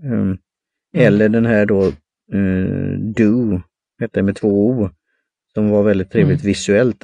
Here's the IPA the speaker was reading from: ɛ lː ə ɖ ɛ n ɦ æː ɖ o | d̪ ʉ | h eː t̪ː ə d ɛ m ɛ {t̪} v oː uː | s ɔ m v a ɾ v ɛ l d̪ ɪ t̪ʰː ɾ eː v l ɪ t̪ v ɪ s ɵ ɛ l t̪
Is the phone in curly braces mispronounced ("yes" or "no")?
yes